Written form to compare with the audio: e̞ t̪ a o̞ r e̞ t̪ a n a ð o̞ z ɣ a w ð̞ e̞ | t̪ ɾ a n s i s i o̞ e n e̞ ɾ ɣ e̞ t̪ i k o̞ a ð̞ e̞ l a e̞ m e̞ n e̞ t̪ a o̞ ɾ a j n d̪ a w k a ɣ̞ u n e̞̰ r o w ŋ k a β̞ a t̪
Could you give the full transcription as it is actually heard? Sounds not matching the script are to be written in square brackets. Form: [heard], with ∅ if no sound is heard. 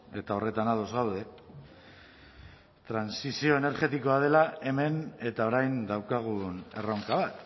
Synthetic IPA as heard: e̞ t̪ a o̞ r e̞ t̪ a n a ð o̞ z ɣ a w ð̞ e̞ | t̪ ɾ a n s i s i o̞ e n e̞ ɾ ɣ e̞ t̪ i k o̞ a ð̞ e̞ l a e̞ m e̞ n e̞ t̪ a o̞ ɾ a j n d̪ a w k a ɣ̞ u n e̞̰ r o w ŋ k a β̞ a t̪